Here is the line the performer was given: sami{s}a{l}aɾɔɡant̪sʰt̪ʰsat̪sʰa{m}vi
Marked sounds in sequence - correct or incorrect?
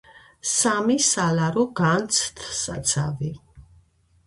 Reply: correct, correct, incorrect: none

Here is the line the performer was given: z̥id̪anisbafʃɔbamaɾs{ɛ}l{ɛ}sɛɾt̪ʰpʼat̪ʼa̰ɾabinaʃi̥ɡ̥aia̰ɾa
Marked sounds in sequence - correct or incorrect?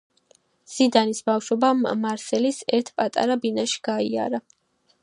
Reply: correct, incorrect: i

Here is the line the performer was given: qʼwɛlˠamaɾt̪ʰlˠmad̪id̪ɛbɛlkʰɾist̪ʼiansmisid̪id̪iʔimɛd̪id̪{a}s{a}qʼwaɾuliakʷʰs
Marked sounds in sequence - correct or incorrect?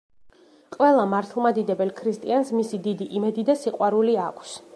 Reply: correct, incorrect: i

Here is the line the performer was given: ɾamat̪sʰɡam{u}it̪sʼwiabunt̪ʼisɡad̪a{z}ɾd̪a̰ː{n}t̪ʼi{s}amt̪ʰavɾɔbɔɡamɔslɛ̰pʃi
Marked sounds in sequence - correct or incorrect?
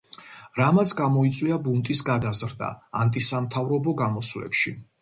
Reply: incorrect: ɔ, correct, correct, correct

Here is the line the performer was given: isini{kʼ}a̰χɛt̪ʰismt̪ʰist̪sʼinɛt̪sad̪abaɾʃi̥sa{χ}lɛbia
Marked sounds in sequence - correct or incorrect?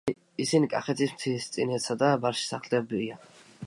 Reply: correct, correct

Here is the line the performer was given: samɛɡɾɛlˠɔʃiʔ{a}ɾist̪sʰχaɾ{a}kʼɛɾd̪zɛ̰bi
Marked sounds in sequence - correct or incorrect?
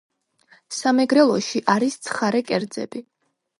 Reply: correct, incorrect: ɛ

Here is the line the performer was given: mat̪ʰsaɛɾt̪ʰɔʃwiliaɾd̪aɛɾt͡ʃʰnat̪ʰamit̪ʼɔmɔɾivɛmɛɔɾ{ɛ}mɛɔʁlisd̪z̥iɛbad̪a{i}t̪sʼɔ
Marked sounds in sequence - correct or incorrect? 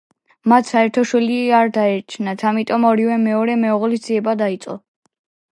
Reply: correct, correct

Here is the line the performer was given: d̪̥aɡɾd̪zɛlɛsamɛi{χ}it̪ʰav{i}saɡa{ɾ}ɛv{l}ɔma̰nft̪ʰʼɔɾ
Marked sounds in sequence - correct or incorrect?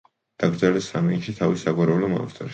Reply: incorrect: ʃ, correct, correct, correct

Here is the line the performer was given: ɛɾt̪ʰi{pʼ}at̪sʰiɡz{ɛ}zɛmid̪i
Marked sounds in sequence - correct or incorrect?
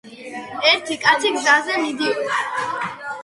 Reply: incorrect: kʼ, incorrect: a

